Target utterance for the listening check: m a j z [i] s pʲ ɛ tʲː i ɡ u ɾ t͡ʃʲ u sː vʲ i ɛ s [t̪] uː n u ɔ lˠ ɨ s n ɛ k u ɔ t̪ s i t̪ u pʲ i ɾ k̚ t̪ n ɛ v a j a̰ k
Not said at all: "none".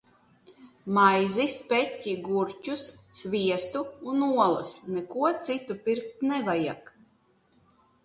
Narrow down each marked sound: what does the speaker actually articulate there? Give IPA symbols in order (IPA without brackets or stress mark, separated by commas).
i, t̪